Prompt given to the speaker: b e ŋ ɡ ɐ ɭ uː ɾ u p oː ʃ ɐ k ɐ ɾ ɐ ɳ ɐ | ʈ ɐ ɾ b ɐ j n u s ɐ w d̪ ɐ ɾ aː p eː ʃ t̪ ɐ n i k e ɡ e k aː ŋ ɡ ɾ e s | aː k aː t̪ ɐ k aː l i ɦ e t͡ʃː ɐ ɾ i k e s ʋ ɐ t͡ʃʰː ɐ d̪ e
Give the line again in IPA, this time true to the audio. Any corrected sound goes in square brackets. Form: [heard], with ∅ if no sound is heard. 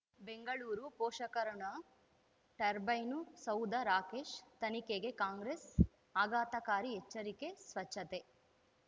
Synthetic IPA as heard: b e ŋ ɡ ɐ ɭ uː ɾ u p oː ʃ ɐ k ɐ ɾ ɐ ɳ ɐ | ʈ ɐ ɾ b ɐ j n u s ɐ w d̪ ɐ ɾ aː [k] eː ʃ t̪ ɐ n i k e ɡ e k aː ŋ ɡ ɾ e s | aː [ɡ] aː t̪ ɐ k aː [ɾ] i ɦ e t͡ʃː ɐ ɾ i k e s ʋ ɐ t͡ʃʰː ɐ [t̪] e